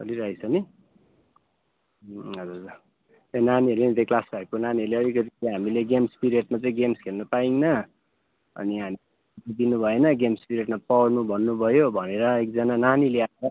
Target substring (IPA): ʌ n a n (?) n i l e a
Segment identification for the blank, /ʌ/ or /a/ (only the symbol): a